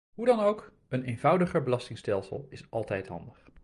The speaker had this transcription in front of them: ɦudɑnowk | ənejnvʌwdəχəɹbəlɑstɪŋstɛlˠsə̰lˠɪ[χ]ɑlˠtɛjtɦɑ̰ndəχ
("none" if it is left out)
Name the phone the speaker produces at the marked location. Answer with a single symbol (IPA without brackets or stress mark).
s